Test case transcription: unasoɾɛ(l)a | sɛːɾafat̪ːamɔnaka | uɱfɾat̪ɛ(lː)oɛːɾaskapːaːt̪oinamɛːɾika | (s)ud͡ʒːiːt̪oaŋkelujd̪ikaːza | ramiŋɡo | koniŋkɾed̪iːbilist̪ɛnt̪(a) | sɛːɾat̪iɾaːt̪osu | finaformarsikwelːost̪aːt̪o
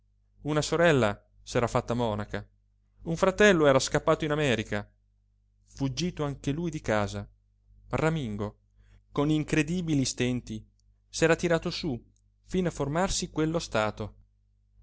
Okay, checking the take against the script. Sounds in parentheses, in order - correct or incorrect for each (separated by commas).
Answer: incorrect, correct, incorrect, incorrect